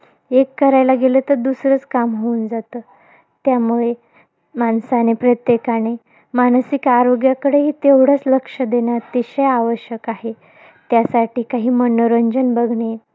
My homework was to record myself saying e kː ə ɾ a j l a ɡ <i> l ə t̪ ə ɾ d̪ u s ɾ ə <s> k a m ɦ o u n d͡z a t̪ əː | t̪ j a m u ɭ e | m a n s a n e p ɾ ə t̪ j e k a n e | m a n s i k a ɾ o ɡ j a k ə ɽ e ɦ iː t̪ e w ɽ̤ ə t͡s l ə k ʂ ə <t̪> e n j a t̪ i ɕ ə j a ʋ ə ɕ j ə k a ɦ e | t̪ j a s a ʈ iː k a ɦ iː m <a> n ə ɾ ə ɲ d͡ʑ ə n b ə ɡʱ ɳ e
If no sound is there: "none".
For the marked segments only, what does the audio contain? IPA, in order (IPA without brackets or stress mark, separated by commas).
e, t͡s, d̪, ə